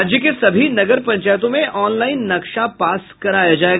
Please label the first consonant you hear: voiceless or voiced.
voiced